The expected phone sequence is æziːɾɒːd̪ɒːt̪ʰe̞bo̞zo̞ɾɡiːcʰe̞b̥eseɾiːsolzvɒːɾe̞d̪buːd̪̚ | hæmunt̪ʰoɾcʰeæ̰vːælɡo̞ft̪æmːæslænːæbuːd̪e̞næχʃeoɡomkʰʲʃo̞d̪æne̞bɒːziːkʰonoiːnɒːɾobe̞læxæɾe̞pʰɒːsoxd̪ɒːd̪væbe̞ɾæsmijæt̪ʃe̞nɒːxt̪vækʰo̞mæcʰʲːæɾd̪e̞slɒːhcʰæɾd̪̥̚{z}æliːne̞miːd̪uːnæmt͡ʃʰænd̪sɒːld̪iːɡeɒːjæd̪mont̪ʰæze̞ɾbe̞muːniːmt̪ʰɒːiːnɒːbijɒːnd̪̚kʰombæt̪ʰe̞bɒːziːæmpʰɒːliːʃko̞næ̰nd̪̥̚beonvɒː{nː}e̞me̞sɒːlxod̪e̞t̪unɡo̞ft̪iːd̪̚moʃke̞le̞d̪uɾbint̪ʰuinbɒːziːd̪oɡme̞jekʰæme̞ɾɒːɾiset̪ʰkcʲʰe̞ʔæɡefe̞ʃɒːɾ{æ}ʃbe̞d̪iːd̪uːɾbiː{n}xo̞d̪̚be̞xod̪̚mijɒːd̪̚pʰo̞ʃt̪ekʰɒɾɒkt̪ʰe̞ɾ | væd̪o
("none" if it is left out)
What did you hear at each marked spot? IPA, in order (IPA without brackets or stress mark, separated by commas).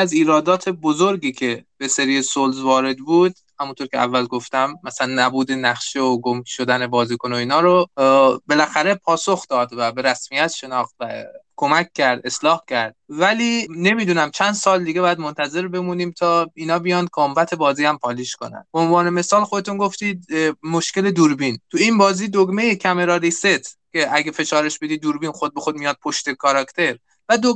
v, n, e, n